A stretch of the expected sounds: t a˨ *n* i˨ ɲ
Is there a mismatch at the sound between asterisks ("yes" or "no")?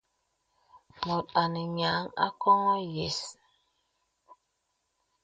no